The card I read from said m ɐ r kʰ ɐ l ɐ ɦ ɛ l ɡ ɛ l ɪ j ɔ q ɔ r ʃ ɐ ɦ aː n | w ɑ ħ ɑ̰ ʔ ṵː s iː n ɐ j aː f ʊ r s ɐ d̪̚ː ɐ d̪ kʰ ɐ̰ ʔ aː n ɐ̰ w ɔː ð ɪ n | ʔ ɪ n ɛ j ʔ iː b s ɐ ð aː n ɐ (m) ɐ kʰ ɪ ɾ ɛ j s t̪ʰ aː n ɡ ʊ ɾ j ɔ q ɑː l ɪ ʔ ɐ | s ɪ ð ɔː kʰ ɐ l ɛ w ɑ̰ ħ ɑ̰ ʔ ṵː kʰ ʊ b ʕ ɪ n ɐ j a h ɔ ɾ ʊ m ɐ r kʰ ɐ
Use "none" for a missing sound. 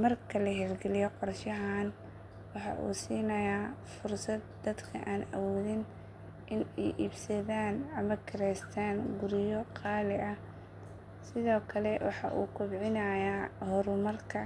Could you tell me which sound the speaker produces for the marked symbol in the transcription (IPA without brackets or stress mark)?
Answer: m